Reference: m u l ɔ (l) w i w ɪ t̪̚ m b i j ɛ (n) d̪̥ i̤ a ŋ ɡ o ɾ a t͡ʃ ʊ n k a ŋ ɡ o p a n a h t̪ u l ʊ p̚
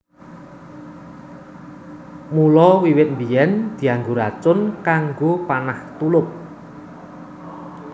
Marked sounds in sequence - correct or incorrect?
incorrect: none, correct

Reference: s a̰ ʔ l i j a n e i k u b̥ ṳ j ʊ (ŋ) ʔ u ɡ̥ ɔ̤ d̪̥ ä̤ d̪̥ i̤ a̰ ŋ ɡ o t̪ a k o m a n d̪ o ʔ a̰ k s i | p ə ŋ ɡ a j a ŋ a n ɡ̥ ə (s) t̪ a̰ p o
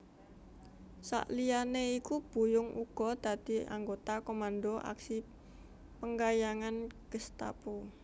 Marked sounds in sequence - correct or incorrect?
correct, correct

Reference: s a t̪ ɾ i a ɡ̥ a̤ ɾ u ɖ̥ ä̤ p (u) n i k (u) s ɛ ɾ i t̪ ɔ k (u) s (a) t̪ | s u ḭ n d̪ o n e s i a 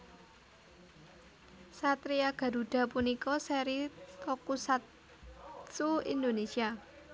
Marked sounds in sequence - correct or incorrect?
correct, incorrect: ɔ, correct, correct

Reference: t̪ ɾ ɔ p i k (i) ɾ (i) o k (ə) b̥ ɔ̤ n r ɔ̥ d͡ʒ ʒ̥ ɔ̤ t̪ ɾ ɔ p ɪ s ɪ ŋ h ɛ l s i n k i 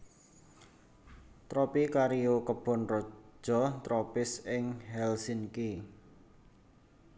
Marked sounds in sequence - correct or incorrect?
incorrect: a, correct, correct

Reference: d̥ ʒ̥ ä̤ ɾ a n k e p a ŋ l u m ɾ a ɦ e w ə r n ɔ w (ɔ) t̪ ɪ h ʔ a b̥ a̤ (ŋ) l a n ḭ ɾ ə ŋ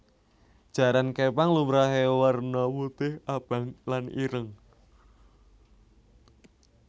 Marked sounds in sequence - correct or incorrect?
incorrect: u, correct

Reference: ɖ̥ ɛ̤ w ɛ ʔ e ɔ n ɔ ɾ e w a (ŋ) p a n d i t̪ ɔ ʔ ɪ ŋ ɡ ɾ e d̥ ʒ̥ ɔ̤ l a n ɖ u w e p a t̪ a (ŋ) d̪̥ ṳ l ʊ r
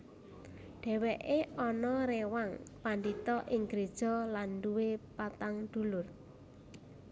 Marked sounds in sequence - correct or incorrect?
correct, correct

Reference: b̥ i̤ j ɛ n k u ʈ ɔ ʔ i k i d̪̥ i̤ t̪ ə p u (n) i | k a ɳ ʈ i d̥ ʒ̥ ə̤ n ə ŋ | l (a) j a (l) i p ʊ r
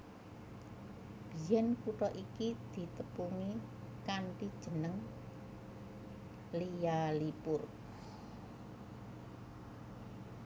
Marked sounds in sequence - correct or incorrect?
incorrect: ŋ, incorrect: i, correct

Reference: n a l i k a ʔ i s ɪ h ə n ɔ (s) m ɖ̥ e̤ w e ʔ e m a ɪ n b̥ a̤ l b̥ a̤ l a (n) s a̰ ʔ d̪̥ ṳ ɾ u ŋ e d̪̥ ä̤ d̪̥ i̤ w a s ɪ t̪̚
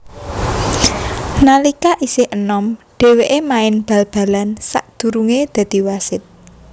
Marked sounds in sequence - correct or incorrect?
incorrect: none, correct

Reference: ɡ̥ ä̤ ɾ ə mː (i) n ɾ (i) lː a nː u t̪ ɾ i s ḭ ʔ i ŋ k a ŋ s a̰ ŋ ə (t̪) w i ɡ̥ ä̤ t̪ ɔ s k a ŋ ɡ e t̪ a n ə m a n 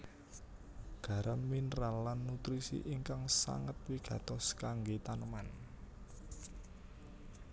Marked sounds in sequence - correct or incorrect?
correct, incorrect: a, correct

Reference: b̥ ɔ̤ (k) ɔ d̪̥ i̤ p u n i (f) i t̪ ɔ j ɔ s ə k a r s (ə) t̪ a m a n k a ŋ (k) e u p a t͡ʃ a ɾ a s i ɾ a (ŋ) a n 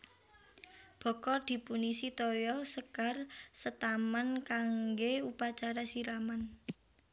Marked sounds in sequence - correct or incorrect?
correct, incorrect: s, correct, incorrect: ɡ, incorrect: m

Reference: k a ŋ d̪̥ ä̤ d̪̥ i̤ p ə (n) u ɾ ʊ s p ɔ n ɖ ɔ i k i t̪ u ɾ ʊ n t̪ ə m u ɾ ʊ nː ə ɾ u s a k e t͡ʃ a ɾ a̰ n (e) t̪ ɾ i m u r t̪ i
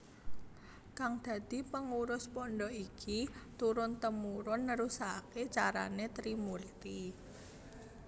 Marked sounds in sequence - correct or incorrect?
incorrect: ŋ, correct

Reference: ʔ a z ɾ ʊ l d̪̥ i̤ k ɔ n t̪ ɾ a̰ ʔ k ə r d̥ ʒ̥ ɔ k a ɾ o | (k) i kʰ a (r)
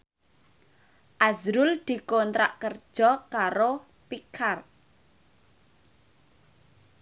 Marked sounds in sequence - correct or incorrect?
incorrect: p, correct

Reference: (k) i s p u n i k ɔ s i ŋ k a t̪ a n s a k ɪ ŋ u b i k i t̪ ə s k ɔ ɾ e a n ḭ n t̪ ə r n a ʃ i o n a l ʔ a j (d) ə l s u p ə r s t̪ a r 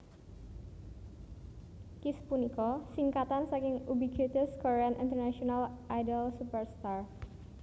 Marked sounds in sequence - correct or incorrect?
correct, correct

